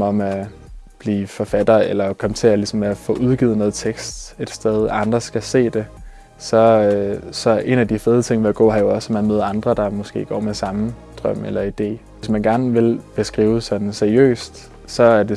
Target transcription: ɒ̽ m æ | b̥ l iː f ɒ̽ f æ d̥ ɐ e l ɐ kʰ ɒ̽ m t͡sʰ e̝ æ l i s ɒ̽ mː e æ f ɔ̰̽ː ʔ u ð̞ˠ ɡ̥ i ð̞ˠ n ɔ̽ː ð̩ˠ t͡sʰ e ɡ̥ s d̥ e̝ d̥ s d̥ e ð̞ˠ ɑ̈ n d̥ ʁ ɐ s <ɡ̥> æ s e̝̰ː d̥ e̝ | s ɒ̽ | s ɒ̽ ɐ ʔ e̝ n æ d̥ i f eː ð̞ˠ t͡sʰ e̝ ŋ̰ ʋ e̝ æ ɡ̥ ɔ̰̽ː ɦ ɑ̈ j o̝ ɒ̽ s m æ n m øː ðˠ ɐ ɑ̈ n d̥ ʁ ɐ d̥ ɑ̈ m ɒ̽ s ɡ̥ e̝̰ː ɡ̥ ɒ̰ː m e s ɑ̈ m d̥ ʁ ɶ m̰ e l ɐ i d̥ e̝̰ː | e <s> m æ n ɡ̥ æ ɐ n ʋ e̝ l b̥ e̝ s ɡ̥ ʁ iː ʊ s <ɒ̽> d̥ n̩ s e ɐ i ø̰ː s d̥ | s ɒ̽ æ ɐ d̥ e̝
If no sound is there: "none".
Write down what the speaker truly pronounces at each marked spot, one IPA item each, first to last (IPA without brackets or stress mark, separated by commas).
ɡ̥, s, ɒ̽